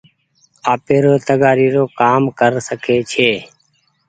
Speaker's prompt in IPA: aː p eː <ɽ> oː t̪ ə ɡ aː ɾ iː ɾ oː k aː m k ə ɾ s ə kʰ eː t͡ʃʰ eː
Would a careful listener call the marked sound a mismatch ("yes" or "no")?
yes